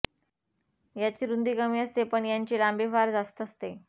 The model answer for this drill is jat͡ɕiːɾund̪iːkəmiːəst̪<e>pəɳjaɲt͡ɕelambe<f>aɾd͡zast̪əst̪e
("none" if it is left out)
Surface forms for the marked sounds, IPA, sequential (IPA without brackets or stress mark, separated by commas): e, f